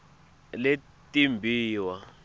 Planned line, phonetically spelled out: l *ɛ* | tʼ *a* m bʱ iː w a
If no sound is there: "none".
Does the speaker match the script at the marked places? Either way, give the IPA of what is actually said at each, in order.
e, i

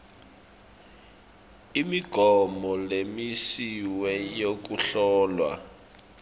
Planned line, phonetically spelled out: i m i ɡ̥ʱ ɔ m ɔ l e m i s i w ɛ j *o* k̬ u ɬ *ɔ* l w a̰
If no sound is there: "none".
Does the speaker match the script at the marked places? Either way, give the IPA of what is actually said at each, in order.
o, ɔː

